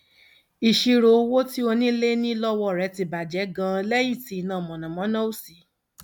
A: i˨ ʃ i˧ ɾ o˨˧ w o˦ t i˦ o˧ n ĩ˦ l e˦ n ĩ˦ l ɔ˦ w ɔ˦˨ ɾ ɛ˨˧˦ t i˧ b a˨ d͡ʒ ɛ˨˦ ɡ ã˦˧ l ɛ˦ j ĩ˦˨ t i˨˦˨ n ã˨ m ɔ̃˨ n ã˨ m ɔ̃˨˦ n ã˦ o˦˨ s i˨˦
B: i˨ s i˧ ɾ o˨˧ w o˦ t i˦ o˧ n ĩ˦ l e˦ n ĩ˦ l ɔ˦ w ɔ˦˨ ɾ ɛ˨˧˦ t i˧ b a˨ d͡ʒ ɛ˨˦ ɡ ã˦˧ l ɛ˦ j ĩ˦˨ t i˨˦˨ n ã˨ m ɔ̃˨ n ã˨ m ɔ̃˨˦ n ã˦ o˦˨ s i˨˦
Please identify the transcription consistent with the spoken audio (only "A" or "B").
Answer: A